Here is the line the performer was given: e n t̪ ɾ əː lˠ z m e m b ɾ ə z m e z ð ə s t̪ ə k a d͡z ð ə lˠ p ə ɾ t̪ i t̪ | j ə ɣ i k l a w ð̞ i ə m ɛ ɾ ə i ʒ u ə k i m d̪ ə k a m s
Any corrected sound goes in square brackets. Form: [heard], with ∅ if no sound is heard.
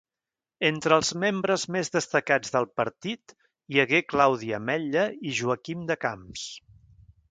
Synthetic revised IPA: e n t̪ ɾ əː lˠ z m e m b ɾ ə z m e z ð ə s t̪ ə k a d͡z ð ə lˠ p ə ɾ t̪ i t̪ | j ə ɣ [e] k l a w ð̞ i ə m ɛ [ʎ] ə i ʒ u ə k i m d̪ ə k a m s